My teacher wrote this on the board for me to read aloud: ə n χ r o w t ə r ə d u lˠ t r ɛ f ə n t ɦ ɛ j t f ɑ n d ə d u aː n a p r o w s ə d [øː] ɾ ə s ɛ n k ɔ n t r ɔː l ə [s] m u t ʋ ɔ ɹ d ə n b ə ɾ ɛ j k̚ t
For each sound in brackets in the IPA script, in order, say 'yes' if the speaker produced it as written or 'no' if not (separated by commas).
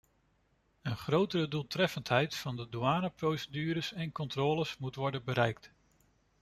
no, yes